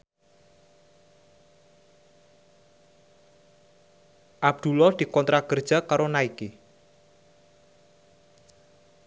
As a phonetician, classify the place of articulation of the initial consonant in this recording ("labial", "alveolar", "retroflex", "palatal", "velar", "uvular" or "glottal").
glottal